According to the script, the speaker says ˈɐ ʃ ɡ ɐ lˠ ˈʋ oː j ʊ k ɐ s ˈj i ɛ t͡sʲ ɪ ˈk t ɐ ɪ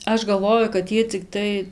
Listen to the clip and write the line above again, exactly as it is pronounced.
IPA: ˈɐ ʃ ɡ ɐ lˠ ˈʋ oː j ʊ k ɐ t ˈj i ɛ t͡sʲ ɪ ˈk t ɐ ɪ